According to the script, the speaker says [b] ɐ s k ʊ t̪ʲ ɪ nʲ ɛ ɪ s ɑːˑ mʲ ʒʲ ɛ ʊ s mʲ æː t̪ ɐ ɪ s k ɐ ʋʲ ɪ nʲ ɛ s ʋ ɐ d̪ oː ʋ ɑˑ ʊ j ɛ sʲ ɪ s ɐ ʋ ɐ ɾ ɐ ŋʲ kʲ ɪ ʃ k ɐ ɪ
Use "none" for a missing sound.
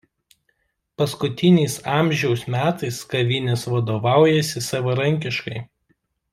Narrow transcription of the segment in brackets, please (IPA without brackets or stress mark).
p